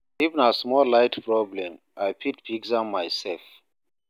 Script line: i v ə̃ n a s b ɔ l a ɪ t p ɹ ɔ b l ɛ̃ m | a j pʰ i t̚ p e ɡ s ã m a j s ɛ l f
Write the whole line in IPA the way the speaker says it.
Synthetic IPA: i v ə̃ n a s m ɔ l a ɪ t p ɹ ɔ b l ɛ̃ m | a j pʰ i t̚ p i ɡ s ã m a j s ɛ l f